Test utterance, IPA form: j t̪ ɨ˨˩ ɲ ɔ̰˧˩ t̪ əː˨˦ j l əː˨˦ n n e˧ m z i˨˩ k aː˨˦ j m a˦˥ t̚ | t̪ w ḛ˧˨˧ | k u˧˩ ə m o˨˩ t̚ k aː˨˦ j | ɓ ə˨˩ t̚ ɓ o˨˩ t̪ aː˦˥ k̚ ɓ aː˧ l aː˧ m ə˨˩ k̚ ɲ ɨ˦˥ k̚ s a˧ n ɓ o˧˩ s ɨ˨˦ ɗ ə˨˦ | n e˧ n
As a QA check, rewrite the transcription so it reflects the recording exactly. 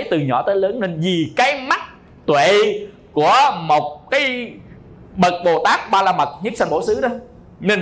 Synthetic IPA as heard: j t̪ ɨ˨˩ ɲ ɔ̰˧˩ t̪ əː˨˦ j l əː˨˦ n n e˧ n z i˨˩ k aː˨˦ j m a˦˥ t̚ | t̪ w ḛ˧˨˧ | k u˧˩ ə m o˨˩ t̚ k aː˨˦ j | ɓ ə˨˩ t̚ ɓ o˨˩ t̪ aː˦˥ k̚ ɓ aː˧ l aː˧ m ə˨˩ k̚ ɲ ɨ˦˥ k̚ s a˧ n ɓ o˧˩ s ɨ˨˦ ɗ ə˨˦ | n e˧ n